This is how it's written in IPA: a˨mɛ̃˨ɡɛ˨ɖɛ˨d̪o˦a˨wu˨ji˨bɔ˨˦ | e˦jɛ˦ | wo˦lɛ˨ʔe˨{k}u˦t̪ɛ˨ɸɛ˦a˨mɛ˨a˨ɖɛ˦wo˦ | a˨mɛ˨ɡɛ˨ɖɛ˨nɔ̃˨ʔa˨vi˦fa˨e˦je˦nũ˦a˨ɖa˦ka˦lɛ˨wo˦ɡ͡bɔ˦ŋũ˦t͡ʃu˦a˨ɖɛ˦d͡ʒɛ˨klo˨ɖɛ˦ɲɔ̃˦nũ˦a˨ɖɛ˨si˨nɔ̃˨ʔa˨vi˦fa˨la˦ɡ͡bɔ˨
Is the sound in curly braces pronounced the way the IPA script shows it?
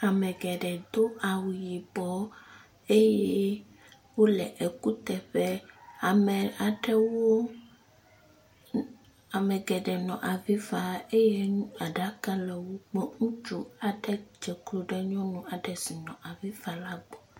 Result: yes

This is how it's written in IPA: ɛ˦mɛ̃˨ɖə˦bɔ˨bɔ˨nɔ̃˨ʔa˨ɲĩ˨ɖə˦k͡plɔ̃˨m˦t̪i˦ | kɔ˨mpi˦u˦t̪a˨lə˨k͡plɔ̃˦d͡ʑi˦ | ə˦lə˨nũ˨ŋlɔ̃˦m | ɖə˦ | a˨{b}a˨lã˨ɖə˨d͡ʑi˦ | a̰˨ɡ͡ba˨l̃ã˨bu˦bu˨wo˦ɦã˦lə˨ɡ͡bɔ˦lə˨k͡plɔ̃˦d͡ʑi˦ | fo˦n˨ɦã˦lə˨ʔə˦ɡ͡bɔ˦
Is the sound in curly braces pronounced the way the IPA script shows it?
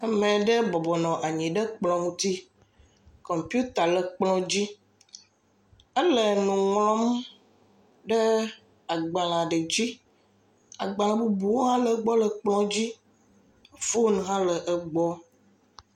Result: no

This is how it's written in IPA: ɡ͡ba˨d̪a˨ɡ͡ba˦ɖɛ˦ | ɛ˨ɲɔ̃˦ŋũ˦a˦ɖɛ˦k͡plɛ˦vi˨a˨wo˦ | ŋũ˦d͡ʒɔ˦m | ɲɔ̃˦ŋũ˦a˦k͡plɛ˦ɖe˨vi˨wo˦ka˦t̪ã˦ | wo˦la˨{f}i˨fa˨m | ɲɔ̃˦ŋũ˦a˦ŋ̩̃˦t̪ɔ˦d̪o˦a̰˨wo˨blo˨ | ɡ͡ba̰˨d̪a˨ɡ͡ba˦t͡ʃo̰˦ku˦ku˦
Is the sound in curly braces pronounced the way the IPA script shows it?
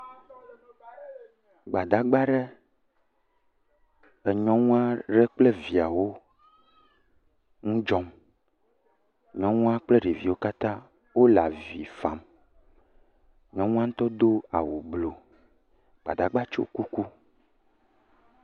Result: no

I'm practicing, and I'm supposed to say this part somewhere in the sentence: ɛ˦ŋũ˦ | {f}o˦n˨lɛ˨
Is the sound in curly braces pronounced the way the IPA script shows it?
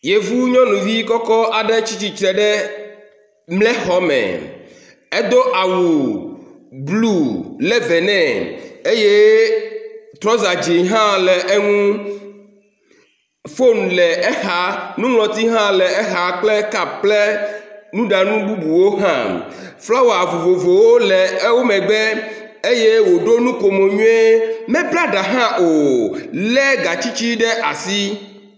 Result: yes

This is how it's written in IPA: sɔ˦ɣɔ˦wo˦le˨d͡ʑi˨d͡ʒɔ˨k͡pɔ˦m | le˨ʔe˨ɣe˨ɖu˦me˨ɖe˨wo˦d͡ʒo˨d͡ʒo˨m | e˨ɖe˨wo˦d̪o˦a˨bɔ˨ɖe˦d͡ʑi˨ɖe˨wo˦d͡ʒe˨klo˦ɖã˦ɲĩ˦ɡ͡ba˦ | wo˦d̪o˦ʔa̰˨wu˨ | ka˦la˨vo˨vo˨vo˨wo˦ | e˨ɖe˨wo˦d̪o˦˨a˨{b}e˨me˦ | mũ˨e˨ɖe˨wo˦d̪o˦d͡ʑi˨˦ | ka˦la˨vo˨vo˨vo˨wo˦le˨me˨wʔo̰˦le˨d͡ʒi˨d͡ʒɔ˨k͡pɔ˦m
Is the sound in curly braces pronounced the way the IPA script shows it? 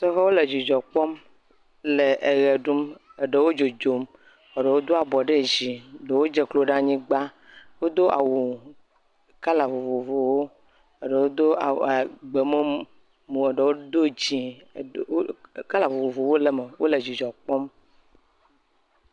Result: no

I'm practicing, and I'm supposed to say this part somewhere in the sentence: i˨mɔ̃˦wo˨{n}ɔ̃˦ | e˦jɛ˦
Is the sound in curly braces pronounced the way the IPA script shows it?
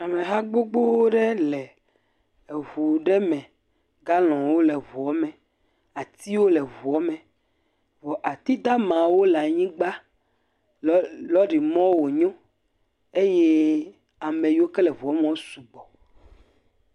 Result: no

